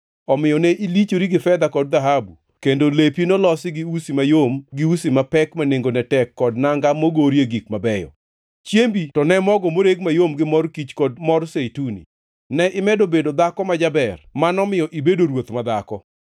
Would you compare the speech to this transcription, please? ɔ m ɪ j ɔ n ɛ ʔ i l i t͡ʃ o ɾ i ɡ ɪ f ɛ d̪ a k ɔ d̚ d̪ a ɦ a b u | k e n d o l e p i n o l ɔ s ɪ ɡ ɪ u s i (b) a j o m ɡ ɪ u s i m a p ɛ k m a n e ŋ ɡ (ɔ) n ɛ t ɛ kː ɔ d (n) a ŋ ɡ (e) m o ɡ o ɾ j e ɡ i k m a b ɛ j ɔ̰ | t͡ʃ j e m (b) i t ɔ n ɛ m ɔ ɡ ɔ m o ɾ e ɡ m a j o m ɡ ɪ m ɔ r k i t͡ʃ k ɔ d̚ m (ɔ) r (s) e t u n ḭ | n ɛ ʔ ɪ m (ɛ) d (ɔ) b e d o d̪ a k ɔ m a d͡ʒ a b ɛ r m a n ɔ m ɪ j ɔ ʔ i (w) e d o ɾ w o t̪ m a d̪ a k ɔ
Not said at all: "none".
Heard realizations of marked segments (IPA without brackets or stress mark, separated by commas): m, o, n, a, b, ɔ, s, ɛ, o, b